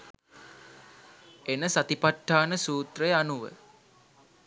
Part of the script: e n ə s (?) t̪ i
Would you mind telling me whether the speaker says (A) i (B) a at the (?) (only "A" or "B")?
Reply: B